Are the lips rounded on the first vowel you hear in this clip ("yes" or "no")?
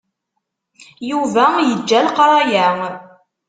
yes